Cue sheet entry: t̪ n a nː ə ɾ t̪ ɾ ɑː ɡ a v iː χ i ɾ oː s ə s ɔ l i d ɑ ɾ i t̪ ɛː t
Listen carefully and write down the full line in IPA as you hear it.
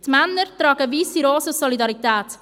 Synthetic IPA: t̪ m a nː ə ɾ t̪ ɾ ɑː ɡ ə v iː s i ɾ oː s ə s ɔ l i d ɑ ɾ i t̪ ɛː t